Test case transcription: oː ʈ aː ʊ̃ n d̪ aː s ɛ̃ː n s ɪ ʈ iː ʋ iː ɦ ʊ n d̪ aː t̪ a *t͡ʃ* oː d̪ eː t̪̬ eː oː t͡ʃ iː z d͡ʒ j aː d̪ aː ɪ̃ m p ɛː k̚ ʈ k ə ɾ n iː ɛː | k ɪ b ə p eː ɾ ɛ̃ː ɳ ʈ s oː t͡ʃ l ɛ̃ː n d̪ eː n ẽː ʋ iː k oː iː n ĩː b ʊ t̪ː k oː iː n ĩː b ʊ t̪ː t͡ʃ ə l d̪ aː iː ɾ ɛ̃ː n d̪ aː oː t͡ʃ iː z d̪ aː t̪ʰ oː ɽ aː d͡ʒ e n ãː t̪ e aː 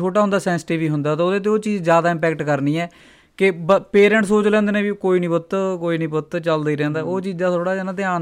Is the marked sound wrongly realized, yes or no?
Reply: yes